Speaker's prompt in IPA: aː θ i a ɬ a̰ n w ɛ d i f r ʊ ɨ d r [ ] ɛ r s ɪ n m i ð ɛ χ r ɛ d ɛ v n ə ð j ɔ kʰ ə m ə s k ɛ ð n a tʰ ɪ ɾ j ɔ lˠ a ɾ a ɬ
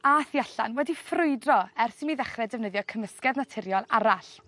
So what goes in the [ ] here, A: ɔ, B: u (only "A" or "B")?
A